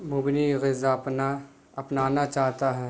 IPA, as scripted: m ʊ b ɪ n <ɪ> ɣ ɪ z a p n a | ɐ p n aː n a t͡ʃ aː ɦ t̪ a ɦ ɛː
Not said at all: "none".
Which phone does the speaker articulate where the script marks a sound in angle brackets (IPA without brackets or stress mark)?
i